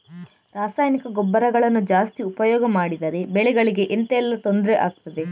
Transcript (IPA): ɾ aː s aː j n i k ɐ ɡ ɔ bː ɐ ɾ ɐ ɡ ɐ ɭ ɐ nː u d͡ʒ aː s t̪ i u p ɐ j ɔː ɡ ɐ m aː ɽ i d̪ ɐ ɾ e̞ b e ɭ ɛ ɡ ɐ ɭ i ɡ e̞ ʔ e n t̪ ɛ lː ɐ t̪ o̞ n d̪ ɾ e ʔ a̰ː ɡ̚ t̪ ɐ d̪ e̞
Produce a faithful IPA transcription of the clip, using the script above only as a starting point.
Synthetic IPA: ɾ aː s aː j n i k ɐ ɡ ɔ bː ɐ ɾ ɐ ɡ ɐ ɭ ɐ nː u d͡ʒ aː s t̪ i u p ɐ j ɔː ɡ ɐ m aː ɽ i d̪ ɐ ɾ e̞ b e ɭ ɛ ɡ ɐ ɭ i ɡ e̞ ʔ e n t̪ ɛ lː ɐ t̪ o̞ n d̪ ɾ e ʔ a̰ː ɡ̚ t̪ ɐ d̪ e̞